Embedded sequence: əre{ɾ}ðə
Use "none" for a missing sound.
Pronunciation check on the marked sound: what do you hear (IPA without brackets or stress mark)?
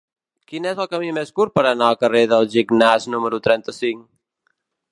none